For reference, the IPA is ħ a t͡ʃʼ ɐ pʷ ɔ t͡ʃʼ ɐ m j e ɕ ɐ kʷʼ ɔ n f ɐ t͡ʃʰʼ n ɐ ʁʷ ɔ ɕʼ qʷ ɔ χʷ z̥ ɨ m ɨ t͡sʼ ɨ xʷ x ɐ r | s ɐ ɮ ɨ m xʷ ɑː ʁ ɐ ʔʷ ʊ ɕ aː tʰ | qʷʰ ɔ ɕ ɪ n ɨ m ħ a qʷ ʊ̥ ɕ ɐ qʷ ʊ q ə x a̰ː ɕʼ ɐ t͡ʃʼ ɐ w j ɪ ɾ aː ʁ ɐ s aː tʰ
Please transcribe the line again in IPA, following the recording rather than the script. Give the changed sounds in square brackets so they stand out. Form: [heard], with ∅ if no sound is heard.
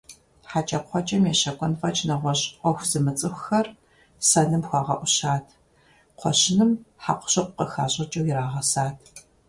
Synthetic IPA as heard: ħ a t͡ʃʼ ɐ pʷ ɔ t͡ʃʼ ɐ m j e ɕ ɐ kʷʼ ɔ n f ɐ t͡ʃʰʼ n ɐ ʁʷ ɔ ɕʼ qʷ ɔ [xʷ] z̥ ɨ m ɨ t͡sʼ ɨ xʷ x ɐ r | s ɐ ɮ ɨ m xʷ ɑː ʁ ɐ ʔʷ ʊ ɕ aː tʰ | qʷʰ ɔ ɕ ɪ n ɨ m ħ a qʷ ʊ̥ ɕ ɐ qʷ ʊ q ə x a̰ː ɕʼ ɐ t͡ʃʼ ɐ w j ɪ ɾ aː ʁ ɐ s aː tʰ